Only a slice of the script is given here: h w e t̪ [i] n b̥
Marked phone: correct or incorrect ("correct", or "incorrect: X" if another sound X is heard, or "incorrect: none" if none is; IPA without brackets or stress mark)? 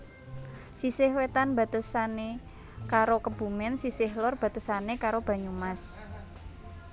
incorrect: a